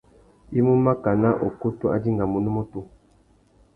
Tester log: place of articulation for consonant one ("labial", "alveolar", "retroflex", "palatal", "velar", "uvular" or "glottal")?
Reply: labial